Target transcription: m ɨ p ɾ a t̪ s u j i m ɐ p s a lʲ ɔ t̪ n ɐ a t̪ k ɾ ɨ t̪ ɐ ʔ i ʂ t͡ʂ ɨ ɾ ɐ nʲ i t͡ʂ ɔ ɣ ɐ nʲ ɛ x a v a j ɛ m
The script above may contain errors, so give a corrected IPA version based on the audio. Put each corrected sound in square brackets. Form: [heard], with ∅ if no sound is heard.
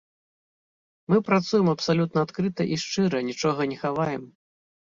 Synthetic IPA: m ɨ p ɾ a t̪ s u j [ɛ] m ɐ p s a lʲ [u] t̪ n ɐ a t̪ k ɾ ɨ t̪ ɐ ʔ i ʂ t͡ʂ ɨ ɾ ɐ nʲ i t͡ʂ ɔ ɣ ɐ nʲ ɛ x a v a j ɛ m